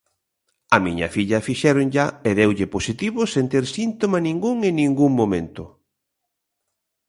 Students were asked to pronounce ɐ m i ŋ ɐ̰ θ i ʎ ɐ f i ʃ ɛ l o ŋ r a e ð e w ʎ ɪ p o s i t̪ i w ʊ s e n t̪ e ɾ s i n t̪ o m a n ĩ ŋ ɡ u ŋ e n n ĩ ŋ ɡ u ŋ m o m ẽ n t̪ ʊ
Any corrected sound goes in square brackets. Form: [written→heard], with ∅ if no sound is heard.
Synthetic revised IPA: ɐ m i [ŋ→ɲ] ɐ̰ [θ→f] i ʎ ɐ f i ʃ ɛ [l→ɾ] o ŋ [r→ʎ] a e ð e w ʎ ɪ p o s i t̪ i [w→β] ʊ s e n t̪ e ɾ s i n t̪ o m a n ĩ ŋ ɡ u ŋ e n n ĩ ŋ ɡ u ŋ m o m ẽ n t̪ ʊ